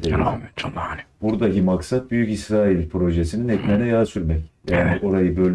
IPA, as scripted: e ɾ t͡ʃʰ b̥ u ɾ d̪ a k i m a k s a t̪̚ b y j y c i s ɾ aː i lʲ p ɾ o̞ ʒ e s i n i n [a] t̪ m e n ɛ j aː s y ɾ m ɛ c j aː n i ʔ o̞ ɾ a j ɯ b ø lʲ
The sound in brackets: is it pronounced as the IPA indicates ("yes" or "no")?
no